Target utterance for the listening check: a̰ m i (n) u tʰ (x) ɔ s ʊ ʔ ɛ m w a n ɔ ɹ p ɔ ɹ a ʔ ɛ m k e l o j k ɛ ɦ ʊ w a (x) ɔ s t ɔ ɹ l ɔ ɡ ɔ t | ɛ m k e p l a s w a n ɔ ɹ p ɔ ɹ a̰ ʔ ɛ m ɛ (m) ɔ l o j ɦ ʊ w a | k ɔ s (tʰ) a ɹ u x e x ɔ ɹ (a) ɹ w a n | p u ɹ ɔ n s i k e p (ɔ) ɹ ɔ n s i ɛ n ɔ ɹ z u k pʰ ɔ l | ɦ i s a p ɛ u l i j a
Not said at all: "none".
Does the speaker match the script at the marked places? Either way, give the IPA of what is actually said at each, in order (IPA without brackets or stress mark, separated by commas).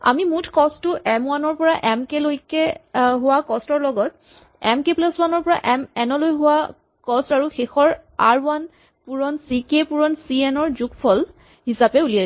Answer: m, k, k, n, t, a, u